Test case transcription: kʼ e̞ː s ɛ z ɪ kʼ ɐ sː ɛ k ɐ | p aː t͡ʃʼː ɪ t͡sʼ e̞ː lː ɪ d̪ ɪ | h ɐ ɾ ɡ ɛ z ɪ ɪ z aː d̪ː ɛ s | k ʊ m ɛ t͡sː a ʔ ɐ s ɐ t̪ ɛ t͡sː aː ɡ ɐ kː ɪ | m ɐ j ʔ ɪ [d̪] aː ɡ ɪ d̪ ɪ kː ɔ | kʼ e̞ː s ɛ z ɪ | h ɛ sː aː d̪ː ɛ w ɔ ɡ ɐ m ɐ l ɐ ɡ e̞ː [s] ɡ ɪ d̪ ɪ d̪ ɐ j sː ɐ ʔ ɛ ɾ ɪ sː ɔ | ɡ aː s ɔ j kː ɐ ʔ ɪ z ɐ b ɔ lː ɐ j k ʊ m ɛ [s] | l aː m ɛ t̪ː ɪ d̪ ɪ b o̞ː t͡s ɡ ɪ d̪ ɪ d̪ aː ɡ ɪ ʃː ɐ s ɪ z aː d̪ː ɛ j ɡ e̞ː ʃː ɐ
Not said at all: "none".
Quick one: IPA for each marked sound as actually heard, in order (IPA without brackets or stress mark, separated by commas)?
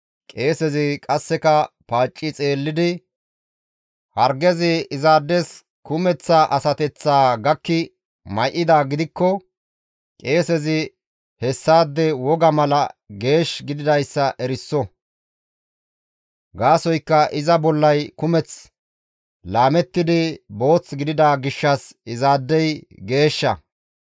d̪, ʃ, t͡s